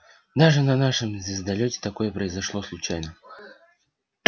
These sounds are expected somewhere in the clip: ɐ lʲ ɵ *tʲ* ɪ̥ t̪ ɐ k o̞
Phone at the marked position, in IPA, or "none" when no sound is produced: tʲ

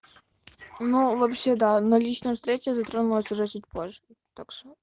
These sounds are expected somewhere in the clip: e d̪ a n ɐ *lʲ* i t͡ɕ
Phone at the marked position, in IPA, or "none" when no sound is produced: lʲ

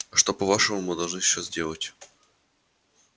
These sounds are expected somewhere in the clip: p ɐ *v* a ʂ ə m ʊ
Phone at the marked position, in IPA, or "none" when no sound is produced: v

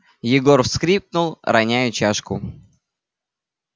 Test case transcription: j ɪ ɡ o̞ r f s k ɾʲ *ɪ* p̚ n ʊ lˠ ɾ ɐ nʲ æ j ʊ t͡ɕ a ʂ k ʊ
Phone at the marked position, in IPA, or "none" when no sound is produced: i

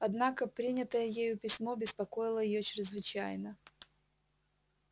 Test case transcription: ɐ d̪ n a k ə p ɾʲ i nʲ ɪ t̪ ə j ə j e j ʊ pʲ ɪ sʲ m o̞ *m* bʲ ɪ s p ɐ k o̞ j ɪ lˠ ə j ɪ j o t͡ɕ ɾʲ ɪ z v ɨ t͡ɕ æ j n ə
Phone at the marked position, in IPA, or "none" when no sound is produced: none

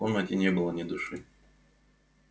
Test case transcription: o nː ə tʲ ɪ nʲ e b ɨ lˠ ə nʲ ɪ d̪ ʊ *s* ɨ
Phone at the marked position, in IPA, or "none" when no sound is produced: ʂ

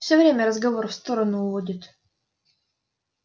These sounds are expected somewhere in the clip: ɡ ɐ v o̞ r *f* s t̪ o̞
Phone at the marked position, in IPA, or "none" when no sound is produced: f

